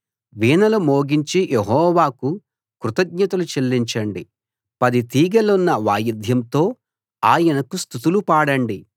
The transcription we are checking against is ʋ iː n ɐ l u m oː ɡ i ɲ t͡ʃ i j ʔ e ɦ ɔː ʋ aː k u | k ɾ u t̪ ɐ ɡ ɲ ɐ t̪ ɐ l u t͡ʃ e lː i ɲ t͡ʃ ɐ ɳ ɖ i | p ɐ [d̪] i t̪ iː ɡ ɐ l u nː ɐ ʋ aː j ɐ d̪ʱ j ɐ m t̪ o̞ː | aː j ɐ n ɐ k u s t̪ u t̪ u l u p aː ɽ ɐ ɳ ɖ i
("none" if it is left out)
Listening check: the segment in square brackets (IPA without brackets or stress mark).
d̪